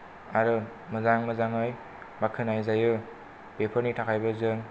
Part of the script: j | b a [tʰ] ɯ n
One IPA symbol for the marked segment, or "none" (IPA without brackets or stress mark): kʰ